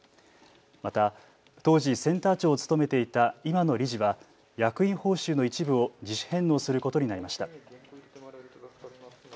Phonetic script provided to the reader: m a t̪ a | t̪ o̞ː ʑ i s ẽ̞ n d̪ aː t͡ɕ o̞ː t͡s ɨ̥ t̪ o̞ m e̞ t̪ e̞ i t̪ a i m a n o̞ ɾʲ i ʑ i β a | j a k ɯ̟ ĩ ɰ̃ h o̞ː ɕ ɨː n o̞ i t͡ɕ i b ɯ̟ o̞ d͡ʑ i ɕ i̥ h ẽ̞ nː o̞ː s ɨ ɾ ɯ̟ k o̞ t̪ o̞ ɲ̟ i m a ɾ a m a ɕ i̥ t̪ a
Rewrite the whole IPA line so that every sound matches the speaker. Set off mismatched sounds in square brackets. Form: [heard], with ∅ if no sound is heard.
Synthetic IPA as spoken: m a t̪ a | t̪ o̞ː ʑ i s ẽ̞ n [t̪] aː t͡ɕ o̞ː t͡s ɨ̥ t̪ o̞ m e̞ t̪ e̞ i t̪ a i m a n o̞ ɾʲ i ʑ i β a | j a k ɯ̟ ĩ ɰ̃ h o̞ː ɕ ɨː n o̞ i t͡ɕ i b ɯ̟ o̞ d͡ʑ i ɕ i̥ h ẽ̞ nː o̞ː s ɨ ɾ ɯ̟ k o̞ t̪ o̞ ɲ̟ i [n] a ɾ [i] m a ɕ i̥ t̪ a